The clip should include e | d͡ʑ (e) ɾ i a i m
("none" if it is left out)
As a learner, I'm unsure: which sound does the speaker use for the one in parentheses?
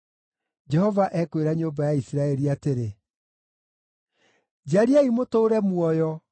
a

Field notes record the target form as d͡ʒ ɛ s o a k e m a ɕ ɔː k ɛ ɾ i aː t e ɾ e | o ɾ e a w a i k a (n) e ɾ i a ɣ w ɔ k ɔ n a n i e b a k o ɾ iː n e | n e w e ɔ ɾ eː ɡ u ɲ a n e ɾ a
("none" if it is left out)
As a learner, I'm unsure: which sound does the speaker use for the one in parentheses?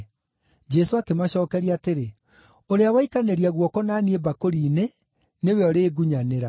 n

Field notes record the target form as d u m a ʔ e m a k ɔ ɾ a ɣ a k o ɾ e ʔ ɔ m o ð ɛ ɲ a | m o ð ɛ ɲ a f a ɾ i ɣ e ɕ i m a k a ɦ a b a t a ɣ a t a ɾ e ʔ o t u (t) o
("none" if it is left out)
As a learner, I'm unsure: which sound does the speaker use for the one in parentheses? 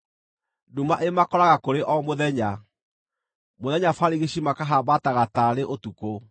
k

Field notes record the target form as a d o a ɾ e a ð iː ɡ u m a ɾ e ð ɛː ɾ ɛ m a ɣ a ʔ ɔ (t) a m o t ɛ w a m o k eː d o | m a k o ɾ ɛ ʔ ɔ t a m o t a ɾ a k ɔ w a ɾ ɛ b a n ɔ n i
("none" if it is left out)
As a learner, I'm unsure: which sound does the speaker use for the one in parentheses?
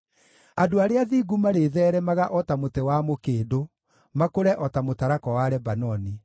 t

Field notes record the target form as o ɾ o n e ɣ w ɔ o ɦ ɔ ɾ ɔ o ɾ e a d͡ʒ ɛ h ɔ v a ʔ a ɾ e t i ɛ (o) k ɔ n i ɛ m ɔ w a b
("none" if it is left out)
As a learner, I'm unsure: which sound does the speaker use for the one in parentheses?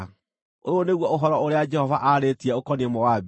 o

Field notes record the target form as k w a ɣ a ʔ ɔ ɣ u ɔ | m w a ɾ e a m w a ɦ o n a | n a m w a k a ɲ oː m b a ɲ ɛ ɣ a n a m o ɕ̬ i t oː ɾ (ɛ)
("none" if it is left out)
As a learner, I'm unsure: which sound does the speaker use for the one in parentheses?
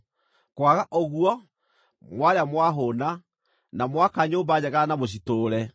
ɛ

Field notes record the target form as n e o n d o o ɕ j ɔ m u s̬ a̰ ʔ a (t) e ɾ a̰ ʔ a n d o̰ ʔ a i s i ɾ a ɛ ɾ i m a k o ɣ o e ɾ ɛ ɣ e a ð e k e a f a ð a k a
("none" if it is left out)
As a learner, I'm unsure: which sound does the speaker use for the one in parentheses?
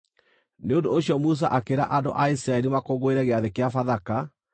k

